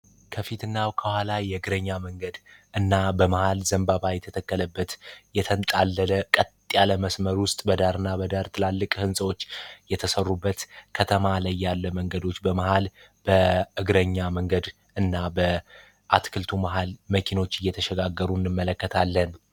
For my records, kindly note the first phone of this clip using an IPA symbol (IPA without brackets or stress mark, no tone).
kʰ